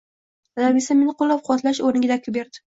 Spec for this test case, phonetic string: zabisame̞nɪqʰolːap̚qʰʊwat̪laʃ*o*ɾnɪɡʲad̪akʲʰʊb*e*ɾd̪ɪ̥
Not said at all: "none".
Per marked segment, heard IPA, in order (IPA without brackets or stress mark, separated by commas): o, e